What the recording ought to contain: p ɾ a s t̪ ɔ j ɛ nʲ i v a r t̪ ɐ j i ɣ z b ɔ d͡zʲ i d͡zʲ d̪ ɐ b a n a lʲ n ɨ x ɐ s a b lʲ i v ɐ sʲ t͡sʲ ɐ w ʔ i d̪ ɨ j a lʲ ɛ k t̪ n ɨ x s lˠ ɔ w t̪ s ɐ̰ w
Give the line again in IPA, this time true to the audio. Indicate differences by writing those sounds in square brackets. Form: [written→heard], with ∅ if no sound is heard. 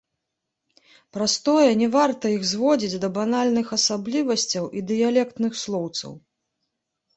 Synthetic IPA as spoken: p ɾ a s t̪ ɔ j ɛ nʲ [i→ɛ] v a r t̪ ɐ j i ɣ z [b→v] ɔ d͡zʲ i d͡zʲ d̪ ɐ b a n a lʲ n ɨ x ɐ s a b lʲ i v ɐ sʲ t͡sʲ ɐ w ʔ i d̪ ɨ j a lʲ ɛ k t̪ n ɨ x s lˠ ɔ w t̪ s ɐ̰ w